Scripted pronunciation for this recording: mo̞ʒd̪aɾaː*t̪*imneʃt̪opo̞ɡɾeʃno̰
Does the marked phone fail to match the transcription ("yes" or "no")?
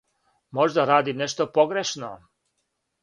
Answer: yes